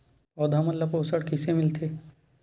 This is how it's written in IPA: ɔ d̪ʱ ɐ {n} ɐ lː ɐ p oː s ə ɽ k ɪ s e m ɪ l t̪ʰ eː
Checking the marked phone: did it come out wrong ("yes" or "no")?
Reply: yes